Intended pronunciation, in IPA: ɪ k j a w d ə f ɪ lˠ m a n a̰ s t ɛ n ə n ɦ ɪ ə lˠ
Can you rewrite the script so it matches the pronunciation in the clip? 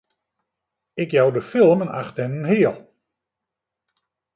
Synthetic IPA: ɪ k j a w d ə f ɪ lˠ m ə n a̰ χ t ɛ n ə n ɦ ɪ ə lˠ